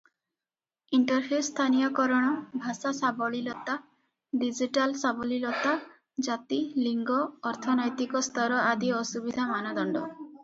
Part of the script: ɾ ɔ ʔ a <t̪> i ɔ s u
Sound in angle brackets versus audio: incorrect: d̪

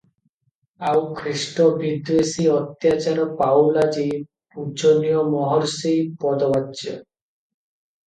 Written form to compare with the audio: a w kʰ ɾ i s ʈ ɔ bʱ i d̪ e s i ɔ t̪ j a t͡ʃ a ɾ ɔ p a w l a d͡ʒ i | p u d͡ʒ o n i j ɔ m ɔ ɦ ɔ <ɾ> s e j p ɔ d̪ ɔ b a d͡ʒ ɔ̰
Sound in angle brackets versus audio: correct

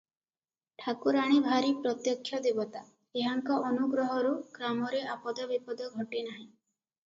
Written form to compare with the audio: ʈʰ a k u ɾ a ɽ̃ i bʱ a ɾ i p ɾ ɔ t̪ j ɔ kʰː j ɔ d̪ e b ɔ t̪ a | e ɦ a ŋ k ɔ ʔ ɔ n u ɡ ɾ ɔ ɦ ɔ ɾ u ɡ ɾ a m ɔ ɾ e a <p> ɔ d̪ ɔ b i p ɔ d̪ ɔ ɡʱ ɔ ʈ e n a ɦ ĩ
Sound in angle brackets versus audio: correct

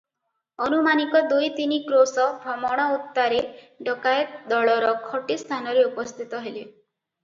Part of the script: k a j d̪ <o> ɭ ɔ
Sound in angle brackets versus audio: incorrect: ɔ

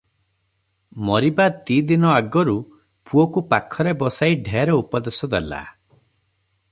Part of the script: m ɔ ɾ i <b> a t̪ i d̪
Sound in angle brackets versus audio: correct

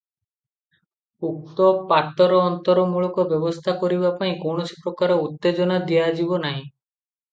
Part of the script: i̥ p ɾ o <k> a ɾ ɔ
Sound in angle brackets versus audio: correct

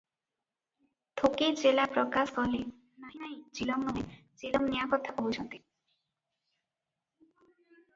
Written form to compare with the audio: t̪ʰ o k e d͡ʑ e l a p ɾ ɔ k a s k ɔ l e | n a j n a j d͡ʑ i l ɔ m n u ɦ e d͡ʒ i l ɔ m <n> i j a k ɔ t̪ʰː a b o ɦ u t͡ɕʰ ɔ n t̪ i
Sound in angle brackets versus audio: correct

